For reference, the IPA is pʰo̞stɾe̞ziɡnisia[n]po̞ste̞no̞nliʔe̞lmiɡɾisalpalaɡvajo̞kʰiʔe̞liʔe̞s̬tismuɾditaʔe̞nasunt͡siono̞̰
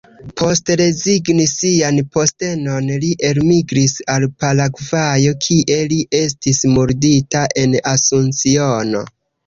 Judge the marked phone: correct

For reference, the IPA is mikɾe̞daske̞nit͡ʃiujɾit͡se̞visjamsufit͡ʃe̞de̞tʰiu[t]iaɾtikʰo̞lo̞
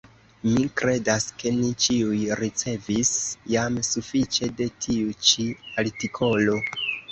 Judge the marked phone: incorrect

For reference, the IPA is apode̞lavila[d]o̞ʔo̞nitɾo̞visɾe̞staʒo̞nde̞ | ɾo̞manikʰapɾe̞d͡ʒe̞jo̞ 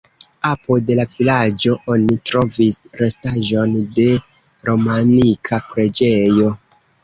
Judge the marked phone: incorrect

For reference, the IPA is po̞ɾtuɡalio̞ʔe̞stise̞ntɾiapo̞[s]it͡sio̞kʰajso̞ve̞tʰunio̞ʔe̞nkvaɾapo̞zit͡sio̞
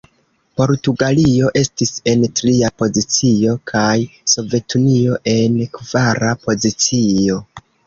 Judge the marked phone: incorrect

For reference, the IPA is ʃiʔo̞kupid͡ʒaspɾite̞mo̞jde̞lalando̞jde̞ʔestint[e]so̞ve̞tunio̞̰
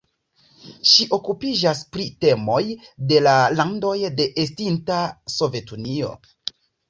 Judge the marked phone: incorrect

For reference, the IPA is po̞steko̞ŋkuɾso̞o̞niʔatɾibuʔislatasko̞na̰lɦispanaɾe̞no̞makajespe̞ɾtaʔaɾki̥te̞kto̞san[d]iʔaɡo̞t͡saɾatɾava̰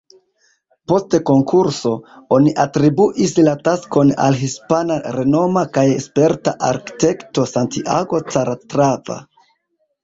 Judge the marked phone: incorrect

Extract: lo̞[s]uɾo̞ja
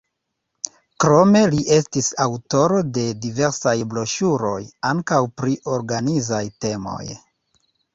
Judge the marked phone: incorrect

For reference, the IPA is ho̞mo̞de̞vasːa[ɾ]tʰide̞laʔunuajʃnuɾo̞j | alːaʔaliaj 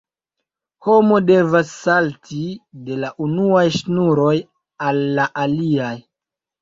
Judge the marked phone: incorrect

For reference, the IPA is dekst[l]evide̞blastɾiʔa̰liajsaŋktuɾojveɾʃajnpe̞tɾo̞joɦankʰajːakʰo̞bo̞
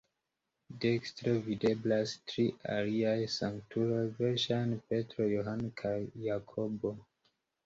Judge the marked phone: incorrect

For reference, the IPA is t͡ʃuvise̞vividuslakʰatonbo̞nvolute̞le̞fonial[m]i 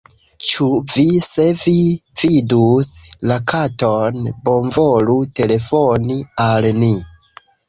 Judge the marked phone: incorrect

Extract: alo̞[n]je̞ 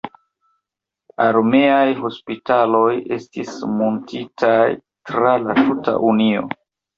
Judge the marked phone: incorrect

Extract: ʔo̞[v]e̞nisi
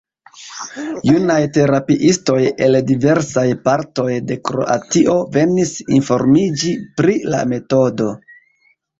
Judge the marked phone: correct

